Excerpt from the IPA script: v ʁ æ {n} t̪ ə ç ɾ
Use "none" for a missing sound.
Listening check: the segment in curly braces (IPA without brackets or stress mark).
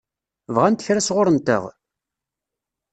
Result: n